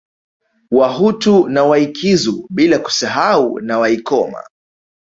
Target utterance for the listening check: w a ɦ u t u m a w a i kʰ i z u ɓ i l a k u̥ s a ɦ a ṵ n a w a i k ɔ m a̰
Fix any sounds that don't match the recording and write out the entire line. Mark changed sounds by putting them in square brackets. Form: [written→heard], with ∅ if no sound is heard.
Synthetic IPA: w a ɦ u t u [m→n] a w a i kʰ i z u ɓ i l a k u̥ s a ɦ a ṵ n a w a i k ɔ m a̰